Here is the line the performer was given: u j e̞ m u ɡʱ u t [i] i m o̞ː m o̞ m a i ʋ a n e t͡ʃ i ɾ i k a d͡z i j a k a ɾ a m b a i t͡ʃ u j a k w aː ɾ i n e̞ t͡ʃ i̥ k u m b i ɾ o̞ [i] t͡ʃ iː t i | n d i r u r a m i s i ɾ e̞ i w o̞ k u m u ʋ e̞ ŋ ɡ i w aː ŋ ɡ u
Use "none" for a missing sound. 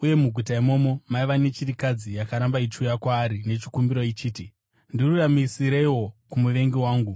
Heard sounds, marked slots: a, i

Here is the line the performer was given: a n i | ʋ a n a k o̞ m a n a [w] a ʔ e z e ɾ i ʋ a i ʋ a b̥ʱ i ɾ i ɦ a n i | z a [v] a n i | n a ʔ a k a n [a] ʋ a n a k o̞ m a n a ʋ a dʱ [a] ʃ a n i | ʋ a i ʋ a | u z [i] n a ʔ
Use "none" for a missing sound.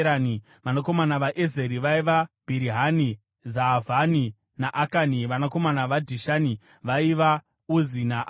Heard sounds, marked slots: ʋ, v, i, i, i

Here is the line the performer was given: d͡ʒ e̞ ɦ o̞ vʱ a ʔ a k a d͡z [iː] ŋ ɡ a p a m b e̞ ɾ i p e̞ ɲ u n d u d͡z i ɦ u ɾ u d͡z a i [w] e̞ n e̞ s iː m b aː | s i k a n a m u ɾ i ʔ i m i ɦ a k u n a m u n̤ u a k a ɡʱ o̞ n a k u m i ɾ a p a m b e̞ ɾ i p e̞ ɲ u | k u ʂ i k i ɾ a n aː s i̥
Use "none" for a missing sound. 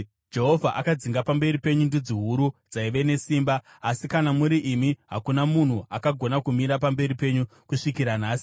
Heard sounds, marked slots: i, ʋ

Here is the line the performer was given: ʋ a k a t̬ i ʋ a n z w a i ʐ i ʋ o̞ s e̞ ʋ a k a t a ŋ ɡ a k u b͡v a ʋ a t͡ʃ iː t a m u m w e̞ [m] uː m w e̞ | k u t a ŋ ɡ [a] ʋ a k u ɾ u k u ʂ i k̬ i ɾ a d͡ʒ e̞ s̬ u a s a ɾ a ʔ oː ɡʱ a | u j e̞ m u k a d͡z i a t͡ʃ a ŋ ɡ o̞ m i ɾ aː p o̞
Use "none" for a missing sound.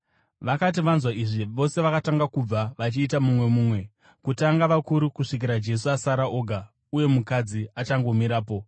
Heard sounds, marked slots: m, a

